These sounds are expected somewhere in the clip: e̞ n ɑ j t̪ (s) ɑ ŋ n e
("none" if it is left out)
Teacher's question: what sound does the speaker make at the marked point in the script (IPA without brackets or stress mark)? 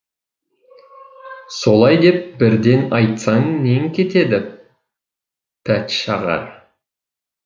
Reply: s